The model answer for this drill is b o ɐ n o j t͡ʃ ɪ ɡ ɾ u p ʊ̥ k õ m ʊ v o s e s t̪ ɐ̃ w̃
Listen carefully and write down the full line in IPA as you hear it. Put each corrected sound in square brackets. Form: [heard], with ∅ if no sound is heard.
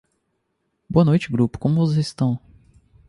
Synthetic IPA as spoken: b o ɐ n o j t͡ʃ ɪ ɡ ɾ u p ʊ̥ k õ m ʊ v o [z] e s t̪ ɐ̃ w̃